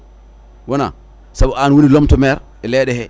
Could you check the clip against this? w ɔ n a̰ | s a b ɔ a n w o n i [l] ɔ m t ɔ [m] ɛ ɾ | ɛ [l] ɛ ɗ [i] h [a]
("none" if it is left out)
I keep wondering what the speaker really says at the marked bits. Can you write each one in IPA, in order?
l, m, l, ɛ, ɛ

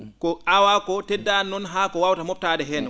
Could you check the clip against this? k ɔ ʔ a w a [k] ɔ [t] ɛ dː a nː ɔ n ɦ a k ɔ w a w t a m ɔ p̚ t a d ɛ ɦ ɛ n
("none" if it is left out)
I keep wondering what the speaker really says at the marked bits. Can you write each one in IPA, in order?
k, t

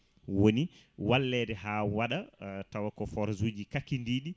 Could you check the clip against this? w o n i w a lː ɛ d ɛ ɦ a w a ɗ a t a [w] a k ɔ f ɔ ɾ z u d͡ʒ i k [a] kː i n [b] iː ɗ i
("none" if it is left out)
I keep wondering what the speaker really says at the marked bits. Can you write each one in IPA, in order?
w, a, d

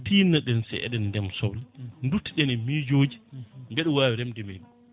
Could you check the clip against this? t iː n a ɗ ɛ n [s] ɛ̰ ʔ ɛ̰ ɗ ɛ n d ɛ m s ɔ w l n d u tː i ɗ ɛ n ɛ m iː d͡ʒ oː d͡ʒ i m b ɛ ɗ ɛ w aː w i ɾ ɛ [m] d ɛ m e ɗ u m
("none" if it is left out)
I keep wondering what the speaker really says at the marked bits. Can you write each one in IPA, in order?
s, m

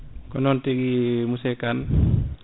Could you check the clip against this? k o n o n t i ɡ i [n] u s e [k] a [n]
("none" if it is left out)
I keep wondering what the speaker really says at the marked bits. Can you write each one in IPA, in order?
m, k, n

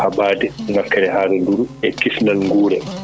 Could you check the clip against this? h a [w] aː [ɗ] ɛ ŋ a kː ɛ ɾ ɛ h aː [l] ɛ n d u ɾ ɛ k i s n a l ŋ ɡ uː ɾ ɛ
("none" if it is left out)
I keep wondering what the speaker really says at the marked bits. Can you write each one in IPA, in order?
b, d, ɾ

